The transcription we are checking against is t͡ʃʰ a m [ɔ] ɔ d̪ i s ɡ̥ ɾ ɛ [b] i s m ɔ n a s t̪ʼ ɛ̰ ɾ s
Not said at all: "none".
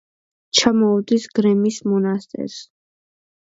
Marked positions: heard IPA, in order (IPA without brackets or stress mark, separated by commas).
ɔ, m